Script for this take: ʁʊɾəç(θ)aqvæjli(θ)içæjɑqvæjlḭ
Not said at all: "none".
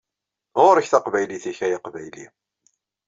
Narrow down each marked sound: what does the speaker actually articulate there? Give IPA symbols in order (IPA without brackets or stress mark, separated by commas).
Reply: θ, θ